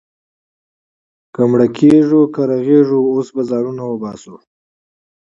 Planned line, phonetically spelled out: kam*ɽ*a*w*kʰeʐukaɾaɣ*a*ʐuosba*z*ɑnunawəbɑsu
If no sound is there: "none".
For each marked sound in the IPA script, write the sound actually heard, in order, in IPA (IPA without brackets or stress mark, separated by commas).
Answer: ɽ, none, e, z